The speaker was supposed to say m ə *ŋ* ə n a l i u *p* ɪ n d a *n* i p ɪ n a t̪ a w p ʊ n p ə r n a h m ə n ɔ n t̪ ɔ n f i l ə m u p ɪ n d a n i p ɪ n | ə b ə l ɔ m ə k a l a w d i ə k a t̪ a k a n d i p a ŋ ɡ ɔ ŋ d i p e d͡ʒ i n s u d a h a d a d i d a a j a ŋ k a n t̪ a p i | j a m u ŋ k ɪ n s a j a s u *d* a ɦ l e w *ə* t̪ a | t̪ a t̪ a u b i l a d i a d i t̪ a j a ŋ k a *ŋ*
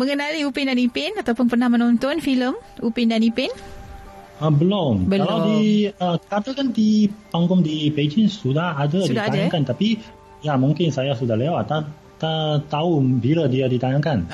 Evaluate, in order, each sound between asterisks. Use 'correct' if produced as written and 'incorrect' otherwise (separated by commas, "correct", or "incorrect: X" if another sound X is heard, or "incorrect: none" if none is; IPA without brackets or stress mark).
correct, correct, correct, correct, incorrect: a, incorrect: n